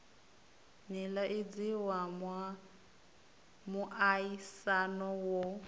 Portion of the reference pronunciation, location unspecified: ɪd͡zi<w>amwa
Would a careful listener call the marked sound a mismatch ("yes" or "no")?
no